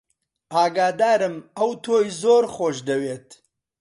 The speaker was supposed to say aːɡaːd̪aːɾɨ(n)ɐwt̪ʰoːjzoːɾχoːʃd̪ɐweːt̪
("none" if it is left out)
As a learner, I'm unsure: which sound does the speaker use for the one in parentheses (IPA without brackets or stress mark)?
m